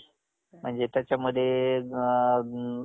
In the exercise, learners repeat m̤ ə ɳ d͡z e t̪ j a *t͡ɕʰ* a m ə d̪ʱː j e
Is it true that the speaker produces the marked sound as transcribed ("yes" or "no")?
no